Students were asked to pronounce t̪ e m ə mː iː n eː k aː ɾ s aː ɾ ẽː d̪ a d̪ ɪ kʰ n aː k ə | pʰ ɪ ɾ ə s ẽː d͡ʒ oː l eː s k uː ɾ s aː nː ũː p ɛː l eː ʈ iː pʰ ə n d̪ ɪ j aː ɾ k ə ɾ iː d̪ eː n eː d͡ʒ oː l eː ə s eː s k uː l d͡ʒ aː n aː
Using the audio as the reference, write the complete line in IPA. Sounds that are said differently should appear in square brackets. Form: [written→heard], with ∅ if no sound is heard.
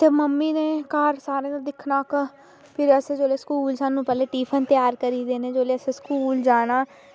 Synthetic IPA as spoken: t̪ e m ə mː iː n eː k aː ɾ s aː ɾ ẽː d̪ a d̪ ɪ kʰ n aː k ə | pʰ ɪ ɾ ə s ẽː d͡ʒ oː l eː s k uː [ɾ→l] s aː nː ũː p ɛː l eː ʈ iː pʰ ə n [d̪→t̪] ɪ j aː ɾ k ə ɾ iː d̪ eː n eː d͡ʒ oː l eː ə s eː s k uː l d͡ʒ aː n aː